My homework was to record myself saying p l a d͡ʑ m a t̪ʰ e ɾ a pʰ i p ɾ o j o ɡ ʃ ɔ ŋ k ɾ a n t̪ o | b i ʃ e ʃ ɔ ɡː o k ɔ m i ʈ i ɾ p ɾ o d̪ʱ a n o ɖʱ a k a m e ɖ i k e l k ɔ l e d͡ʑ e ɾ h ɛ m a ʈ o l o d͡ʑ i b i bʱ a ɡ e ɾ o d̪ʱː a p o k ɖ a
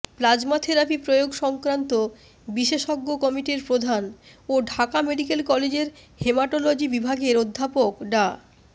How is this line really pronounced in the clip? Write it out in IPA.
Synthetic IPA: p l a d͡ʑ m a t̪ʰ e ɾ a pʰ i p ɾ o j o ɡ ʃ ɔ ŋ k ɾ a n t̪ o | b i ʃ e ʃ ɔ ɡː o k ɔ m i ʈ i ɾ p ɾ o d̪ʱ a n o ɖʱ a k a m e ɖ i k e l k ɔ l e d͡ʑ e ɾ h e m a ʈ o l o d͡ʑ i b i bʱ a ɡ e ɾ o d̪ʱː a p o k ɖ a

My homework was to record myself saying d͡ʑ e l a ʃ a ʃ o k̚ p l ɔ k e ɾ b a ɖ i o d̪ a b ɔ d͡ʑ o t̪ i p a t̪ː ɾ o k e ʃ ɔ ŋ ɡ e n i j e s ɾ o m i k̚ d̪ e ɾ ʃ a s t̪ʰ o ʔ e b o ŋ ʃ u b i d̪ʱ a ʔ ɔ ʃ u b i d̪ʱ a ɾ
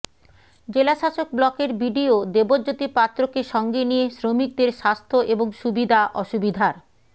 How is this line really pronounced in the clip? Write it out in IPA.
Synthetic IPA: d͡ʑ e l a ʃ a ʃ o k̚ b l ɔ k e ɾ b i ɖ i o d̪ e b o d͡ʑ o t̪ i p a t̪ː ɾ o k e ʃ ɔ ŋ ɡ e n i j e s ɾ o m i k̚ d̪ e ɾ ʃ a s t̪ʰ o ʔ e b o ŋ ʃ u b i d̪ʱ a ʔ ɔ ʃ u b i d̪ʱ a ɾ

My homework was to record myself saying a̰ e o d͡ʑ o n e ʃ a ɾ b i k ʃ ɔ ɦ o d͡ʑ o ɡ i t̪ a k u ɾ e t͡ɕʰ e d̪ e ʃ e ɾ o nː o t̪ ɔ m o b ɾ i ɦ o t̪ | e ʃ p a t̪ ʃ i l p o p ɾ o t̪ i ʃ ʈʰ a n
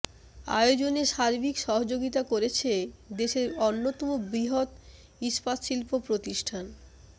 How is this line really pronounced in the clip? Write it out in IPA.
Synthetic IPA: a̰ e o d͡ʑ o n e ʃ a ɾ b i k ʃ ɔ ɦ o d͡ʑ o ɡ i t̪ a k o ɾ e t͡ɕʰ e d̪ e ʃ e ɾ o nː o t̪ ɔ m o b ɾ i ɦ o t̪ | i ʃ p a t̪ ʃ i l p o p ɾ o t̪ i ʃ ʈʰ a n

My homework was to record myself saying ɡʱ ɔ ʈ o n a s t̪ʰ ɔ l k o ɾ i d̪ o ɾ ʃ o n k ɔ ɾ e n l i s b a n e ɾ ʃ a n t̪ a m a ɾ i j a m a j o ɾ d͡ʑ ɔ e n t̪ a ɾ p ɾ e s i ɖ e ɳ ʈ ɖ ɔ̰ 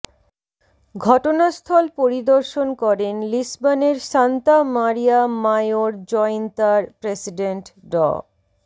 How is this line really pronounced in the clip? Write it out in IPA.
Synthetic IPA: ɡʱ ɔ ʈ o n a s t̪ʰ ɔ l p o ɾ i d̪ o ɾ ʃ o n k ɔ ɾ e n l i s b a n e ɾ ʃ a n t̪ a m a ɾ i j a m a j o ɾ d͡ʑ ɔ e n t̪ a ɾ p ɾ e s i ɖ e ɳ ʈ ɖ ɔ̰

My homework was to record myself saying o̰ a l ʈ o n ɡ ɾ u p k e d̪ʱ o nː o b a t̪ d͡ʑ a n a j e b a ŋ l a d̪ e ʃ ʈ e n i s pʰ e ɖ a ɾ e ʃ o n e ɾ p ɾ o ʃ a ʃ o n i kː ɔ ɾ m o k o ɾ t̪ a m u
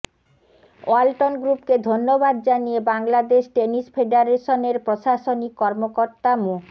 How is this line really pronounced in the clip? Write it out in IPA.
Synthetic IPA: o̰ a l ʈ o n ɡ ɾ u p k e d̪ʱ o nː o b a d̪ d͡ʑ a n i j e b a ŋ l a d̪ e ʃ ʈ e n i s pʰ e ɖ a ɾ e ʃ o n e ɾ p ɾ o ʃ a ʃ o n i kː ɔ ɾ m o k o ɾ t̪ a m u

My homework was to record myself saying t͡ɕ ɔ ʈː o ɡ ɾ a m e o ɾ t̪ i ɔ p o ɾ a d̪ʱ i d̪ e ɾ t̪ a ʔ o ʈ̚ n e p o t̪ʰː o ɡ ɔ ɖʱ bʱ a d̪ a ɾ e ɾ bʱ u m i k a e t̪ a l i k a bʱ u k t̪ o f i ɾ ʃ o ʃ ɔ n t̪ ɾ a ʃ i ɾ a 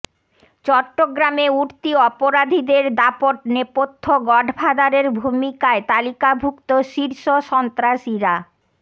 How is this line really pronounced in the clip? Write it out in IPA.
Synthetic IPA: t͡ɕ ɔ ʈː o ɡ ɾ a m e u ɾ t̪ i ɔ p o ɾ a d̪ʱ i d̪ e ɾ d̪ a p o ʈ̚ n e p o t̪ʰː o ɡ ɔ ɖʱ bʱ a d̪ a ɾ e ɾ bʱ u m i k a e t̪ a l i k a bʱ u k t̪ o ʃ i ɾ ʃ o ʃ ɔ n t̪ ɾ a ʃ i ɾ a

